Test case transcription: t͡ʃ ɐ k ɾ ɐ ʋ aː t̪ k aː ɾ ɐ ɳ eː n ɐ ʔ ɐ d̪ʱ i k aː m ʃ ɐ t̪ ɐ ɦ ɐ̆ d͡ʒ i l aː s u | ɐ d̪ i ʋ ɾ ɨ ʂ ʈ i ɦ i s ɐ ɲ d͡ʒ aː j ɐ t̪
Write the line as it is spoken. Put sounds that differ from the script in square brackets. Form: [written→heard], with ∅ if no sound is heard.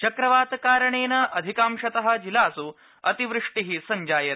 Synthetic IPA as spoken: t͡ʃ ɐ k ɾ ɐ ʋ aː t̪ k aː ɾ ɐ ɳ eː n ɐ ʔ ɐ d̪ʱ i k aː m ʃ ɐ t̪ ɐ ɦ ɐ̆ d͡ʒ i l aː s u | ɐ [d̪→t̪] i ʋ ɾ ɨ ʂ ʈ i ɦ i s ɐ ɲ d͡ʒ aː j ɐ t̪